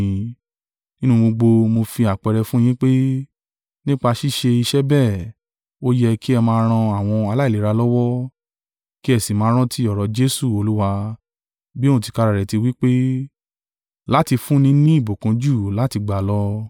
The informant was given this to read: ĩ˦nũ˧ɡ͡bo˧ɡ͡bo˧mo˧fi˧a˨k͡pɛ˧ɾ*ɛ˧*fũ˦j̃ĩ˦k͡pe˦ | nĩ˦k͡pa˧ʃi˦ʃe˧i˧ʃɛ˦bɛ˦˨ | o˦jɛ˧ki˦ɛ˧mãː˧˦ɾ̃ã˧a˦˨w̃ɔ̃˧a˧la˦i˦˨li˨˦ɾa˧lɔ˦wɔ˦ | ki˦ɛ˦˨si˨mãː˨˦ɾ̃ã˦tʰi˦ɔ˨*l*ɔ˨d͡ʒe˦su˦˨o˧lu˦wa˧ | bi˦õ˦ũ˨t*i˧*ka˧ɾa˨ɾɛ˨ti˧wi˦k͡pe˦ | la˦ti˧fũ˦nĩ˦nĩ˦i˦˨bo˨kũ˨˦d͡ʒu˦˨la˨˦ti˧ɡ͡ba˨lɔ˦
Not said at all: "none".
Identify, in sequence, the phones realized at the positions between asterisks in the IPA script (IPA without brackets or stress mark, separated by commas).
ɛ˧, ɾ, i˧